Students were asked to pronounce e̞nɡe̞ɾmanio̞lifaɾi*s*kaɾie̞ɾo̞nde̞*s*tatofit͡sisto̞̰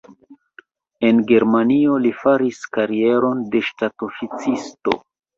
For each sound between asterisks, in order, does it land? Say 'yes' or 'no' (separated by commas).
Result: yes, no